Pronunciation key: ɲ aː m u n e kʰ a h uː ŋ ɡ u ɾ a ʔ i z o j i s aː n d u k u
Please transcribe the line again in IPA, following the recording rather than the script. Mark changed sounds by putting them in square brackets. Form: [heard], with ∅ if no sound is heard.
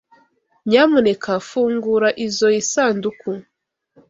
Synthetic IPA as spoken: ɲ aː m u n e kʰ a [f] uː ŋ ɡ u ɾ a ʔ i z o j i s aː n d u k u